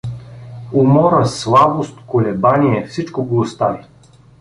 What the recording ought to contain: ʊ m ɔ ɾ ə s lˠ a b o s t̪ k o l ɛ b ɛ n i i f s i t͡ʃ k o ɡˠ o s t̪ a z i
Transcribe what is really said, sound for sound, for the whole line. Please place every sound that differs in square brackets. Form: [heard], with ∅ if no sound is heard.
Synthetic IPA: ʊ m ɔ ɾ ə s lˠ a b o s t̪ k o l ɛ b [a] n i [ɛ] f s i t͡ʃ k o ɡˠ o s t̪ a [v] i